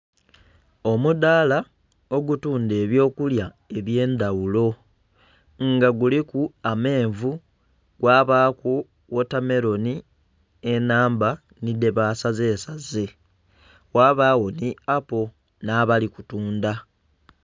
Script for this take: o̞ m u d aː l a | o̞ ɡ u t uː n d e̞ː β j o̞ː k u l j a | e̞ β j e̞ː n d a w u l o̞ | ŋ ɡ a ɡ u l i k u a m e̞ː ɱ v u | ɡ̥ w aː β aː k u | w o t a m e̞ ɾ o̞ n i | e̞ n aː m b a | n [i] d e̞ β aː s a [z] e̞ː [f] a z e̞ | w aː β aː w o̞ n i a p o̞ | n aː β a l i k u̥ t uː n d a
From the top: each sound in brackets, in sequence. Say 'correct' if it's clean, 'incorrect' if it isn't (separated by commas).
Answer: correct, correct, incorrect